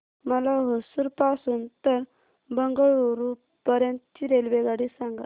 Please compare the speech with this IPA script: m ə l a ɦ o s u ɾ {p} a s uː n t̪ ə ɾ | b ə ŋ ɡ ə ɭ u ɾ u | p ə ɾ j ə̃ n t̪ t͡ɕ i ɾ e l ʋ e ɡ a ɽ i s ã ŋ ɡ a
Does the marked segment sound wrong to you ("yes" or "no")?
no